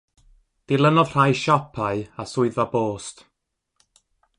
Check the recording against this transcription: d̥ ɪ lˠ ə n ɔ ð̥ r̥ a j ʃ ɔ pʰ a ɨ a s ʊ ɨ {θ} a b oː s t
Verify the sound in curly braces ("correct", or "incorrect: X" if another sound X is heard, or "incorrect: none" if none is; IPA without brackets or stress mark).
incorrect: ð